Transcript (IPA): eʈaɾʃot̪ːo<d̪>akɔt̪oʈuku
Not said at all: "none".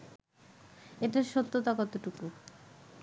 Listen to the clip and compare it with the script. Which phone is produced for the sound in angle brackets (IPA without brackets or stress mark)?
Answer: t̪